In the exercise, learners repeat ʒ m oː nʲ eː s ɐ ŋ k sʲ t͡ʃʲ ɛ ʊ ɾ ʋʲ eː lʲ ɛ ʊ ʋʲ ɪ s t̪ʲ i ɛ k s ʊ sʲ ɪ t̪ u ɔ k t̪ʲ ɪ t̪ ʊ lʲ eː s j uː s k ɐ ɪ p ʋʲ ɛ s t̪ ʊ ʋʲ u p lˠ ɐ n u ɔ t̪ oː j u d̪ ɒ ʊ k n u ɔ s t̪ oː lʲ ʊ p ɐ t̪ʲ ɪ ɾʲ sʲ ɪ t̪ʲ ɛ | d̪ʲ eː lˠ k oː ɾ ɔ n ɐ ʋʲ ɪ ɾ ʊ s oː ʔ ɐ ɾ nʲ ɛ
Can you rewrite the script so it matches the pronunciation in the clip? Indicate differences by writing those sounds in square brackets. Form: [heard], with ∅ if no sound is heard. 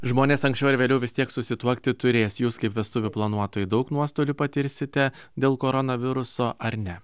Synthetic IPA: ʒ m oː nʲ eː s ɐ ŋ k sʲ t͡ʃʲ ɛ ʊ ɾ ʋʲ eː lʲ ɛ ʊ ʋʲ ɪ s t̪ʲ i ɛ k s ʊ sʲ ɪ t̪ u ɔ k t̪ʲ ɪ t̪ ʊ [ɾʲ] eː s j uː s k ɐ ɪ p ʋʲ ɛ s t̪ ʊ ʋʲ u p lˠ ɐ n u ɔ t̪ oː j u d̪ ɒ ʊ k n u ɔ s t̪ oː lʲ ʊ p ɐ t̪ʲ ɪ ɾʲ sʲ ɪ t̪ʲ ɛ | d̪ʲ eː lˠ k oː ɾ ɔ n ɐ ʋʲ ɪ ɾ ʊ s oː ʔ ɐ ɾ nʲ ɛ